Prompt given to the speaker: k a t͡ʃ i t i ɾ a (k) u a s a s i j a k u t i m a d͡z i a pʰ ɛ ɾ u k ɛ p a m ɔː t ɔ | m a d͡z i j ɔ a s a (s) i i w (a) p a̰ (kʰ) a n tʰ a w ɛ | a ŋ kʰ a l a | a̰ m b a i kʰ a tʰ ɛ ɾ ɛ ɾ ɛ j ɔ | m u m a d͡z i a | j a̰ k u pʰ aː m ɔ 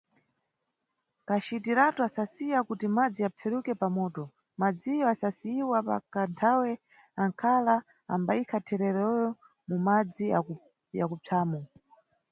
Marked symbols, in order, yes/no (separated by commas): no, yes, yes, no